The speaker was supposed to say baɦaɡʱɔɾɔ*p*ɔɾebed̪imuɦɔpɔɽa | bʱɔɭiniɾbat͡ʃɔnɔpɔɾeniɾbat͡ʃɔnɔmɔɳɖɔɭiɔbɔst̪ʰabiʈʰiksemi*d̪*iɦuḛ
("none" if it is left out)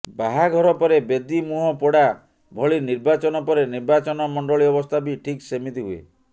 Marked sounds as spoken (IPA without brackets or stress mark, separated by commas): p, t̪